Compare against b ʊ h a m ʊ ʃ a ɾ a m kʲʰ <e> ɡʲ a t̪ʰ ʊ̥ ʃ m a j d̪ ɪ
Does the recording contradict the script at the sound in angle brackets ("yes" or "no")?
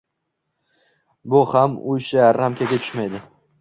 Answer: yes